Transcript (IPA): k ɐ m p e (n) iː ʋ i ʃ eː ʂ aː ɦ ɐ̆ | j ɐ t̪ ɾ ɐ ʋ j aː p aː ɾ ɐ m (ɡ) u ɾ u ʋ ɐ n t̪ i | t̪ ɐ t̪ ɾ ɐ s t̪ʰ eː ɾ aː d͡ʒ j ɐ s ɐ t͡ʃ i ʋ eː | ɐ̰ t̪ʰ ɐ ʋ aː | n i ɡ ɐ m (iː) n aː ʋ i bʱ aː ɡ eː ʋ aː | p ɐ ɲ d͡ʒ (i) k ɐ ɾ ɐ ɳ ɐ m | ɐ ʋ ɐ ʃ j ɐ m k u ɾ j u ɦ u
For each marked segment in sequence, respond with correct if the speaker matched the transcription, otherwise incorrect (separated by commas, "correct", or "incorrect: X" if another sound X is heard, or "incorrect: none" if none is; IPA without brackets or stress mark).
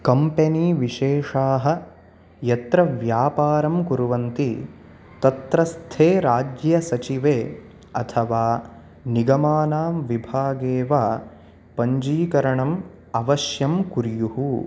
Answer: correct, incorrect: k, incorrect: aː, incorrect: iː